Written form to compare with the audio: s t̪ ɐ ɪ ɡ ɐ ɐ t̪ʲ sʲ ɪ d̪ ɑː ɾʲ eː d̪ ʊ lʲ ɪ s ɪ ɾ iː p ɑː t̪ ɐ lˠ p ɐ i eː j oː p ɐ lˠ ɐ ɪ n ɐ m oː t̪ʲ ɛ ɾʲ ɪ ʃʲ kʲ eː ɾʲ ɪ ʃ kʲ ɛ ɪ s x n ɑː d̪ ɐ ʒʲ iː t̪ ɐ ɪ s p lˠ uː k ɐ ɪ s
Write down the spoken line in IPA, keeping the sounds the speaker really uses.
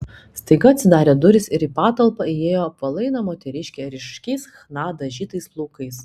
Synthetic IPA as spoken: s t̪ ɐ ɪ ɡ ɐ ɐ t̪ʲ sʲ ɪ d̪ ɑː ɾʲ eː d̪ ʊ ɾʲ ɪ s ɪ ɾ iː p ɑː t̪ ɐ lˠ p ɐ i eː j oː p ɐ lˠ ɐ ɪ n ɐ m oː t̪ʲ ɛ ɾʲ ɪ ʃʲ kʲ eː ɾʲ ɪ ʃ kʲ ɛ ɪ s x n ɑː d̪ ɐ ʒʲ iː t̪ ɐ ɪ s p lˠ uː k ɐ ɪ s